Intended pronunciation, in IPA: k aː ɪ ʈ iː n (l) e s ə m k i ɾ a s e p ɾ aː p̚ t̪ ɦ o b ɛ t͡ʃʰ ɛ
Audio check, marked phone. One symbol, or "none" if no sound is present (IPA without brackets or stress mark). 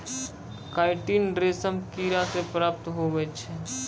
ɾ